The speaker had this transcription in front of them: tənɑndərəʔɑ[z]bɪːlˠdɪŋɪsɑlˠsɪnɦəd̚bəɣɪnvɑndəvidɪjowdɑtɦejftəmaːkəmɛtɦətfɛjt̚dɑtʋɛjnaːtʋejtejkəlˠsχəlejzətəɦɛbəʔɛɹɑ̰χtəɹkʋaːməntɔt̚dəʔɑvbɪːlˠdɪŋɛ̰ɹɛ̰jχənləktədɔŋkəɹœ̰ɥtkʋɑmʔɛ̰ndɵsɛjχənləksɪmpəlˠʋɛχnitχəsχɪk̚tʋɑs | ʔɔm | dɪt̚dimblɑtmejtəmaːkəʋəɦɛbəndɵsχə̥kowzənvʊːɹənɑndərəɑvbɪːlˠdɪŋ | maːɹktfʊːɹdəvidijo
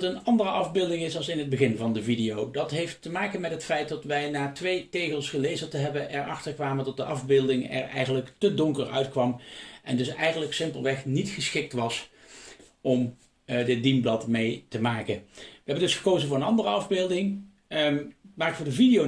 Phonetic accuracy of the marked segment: incorrect: v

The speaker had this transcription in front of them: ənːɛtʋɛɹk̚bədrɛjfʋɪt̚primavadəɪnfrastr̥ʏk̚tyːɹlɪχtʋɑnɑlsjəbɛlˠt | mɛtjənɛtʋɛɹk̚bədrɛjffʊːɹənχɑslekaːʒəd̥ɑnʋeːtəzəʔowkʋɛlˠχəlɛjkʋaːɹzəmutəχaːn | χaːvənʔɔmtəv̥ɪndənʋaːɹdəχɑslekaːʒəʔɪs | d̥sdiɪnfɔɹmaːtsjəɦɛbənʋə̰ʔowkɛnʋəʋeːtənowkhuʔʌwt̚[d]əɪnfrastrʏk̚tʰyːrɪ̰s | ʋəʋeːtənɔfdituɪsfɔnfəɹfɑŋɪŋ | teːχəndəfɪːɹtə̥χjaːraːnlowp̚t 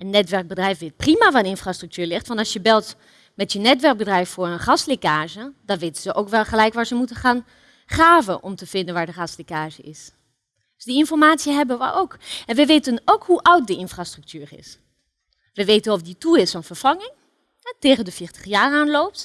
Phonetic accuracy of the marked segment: correct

